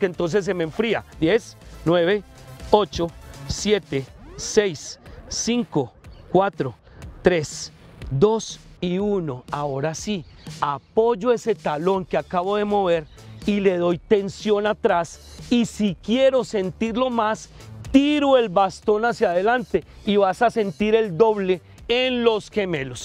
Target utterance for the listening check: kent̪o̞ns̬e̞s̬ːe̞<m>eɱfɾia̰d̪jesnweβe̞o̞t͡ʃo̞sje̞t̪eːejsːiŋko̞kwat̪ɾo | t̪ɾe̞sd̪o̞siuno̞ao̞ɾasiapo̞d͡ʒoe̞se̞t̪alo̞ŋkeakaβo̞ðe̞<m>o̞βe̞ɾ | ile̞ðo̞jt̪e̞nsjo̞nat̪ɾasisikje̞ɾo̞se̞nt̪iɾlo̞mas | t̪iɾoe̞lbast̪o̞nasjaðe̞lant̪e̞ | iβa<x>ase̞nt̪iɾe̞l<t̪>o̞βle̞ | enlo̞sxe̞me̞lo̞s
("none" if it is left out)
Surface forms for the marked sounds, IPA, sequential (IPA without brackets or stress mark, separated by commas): m, m, s, d̪